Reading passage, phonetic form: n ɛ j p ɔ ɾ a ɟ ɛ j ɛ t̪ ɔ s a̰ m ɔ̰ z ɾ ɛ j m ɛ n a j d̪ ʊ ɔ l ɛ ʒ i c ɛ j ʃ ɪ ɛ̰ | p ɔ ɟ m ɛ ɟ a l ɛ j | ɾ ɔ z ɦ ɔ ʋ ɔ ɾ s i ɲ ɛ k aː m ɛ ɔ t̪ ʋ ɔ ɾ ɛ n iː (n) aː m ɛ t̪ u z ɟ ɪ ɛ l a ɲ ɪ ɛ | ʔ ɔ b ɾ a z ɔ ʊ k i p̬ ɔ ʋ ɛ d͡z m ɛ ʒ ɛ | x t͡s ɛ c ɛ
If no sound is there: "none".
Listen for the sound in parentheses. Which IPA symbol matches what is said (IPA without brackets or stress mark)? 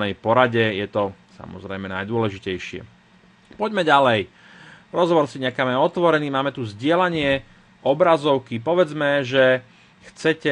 m